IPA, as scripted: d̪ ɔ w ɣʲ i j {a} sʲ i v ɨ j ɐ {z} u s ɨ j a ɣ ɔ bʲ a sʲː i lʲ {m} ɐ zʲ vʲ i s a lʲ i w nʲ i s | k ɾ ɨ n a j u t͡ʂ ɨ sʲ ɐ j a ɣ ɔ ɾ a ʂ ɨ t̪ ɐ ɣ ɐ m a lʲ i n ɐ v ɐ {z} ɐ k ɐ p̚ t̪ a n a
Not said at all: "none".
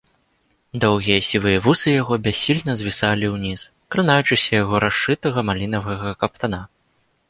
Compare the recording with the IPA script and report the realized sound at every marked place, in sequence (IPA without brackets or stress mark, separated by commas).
ɐ, v, n, ɣ